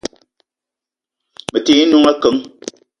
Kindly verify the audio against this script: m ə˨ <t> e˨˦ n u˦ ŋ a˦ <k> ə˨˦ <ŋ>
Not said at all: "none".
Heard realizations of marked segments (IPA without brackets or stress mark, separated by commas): t, k, ŋ